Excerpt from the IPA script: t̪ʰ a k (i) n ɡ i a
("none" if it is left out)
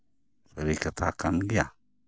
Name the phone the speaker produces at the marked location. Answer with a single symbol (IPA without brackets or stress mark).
a